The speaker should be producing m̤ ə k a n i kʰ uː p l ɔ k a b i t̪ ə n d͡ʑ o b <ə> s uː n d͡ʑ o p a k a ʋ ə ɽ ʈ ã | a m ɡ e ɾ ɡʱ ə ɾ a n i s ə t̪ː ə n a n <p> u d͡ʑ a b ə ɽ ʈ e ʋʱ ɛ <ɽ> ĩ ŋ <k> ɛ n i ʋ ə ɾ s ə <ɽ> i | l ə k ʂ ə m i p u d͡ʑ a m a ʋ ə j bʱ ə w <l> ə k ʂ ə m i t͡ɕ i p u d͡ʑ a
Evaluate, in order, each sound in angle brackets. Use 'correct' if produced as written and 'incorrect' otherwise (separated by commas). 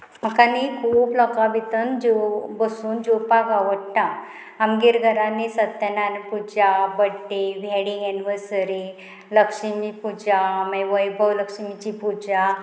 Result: correct, correct, correct, incorrect, incorrect, correct